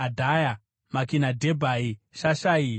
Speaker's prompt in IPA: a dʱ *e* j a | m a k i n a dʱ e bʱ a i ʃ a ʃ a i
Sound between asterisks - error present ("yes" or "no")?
yes